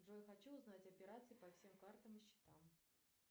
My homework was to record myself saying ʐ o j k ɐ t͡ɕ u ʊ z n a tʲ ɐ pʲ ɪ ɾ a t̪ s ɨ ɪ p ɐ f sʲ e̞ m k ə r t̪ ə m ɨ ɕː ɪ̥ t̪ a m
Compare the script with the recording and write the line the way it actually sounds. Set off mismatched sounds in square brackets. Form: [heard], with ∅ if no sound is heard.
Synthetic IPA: ʐ o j [x] ɐ t͡ɕ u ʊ z n a tʲ ɐ pʲ ɪ ɾ a t̪ s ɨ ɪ p ɐ f sʲ e̞ m k [a] r t̪ ə m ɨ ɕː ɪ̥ t̪ a m